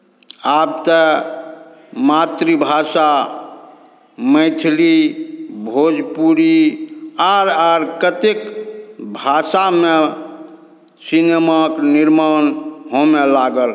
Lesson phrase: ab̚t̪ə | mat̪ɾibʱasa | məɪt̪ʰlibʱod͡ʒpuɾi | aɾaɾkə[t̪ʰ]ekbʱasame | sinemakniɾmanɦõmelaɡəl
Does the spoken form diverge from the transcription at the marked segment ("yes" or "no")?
yes